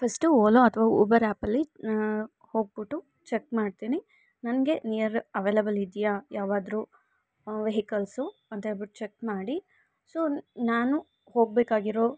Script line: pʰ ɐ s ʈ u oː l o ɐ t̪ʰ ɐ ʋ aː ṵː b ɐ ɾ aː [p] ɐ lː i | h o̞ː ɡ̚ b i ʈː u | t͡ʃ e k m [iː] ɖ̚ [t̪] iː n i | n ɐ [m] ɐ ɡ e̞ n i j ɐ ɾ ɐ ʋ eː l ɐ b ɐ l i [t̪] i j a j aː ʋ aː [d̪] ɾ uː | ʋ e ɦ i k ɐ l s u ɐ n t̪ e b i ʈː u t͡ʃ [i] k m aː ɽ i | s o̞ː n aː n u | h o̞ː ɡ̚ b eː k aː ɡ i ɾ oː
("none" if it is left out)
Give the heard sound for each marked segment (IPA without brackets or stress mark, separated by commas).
p, aː, t̪, n, d̪, d̪, e